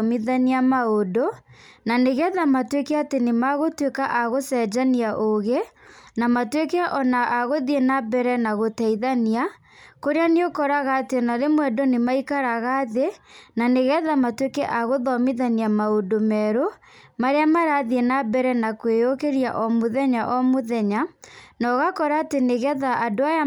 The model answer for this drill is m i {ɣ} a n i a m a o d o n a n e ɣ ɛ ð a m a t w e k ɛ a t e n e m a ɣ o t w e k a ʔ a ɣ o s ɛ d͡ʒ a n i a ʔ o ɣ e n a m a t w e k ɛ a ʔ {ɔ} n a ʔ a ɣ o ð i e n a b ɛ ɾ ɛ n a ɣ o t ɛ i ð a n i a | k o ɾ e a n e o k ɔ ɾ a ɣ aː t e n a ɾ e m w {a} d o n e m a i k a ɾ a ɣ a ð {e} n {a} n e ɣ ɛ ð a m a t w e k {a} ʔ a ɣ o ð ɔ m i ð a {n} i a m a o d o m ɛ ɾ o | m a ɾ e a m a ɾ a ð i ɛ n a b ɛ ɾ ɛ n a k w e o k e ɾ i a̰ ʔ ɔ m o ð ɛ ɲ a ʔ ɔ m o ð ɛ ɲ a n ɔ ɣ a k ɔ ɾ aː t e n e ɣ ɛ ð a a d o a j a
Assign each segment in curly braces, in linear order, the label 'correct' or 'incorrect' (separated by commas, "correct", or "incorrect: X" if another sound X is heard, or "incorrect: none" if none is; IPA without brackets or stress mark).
incorrect: ð, correct, incorrect: ɛ, correct, correct, incorrect: ɛ, correct